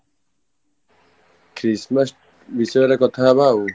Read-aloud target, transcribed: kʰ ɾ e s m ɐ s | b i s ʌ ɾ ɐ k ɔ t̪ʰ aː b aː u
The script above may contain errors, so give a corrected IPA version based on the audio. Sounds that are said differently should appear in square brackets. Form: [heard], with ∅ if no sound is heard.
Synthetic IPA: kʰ ɾ [i] s m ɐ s | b i s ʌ ɾ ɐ k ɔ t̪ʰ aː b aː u